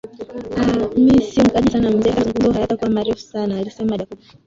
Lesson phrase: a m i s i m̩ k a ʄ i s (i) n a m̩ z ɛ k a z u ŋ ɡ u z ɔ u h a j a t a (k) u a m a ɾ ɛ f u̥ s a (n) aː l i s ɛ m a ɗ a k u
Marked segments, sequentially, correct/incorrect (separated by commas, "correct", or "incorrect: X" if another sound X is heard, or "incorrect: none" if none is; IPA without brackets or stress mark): incorrect: a, correct, correct